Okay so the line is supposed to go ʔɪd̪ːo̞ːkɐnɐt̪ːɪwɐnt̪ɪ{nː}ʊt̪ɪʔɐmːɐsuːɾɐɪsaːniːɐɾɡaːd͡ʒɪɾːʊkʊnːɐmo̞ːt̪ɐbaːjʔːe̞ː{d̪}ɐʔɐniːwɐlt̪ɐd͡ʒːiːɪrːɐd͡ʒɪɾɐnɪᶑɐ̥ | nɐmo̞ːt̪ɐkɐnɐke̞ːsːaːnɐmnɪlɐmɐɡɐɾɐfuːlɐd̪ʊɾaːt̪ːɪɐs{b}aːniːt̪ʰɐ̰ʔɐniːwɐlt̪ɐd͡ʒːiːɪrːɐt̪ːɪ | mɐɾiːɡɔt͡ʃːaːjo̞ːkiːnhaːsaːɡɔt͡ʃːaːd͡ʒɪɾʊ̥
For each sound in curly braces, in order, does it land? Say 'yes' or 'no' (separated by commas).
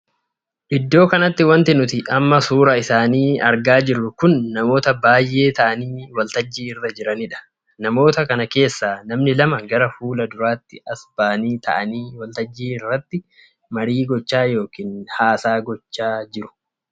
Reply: no, no, yes